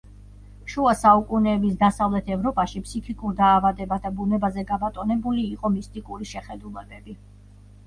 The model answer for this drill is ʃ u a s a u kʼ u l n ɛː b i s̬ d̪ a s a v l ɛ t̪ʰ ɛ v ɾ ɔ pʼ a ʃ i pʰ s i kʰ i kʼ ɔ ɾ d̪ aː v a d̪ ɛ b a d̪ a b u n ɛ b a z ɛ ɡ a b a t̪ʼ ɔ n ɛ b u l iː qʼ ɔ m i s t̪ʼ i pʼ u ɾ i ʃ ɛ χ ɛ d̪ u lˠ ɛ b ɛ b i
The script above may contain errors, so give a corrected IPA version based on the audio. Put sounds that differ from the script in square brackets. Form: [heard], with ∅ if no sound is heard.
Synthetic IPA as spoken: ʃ u a s a u kʼ u [∅] n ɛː b i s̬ d̪ a s a v l ɛ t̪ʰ ɛ v ɾ ɔ pʼ a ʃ i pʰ s i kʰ i kʼ [u] ɾ d̪ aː v a d̪ ɛ b a d̪ a b u n ɛ b a z ɛ ɡ a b a t̪ʼ ɔ n ɛ b u l iː qʼ ɔ m i s t̪ʼ i [kʼ] u ɾ i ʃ ɛ χ ɛ d̪ u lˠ ɛ b ɛ b i